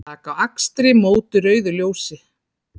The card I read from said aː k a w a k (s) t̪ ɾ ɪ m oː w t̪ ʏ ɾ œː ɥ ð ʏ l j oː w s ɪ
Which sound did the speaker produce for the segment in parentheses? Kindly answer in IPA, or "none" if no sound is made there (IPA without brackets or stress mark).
s